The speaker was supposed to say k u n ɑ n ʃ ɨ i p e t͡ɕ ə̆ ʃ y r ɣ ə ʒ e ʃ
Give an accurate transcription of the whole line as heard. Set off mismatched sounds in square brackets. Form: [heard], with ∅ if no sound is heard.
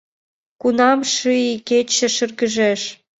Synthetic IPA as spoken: k u n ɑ [m] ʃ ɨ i [k] e t͡ɕ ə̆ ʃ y r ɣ ə ʒ e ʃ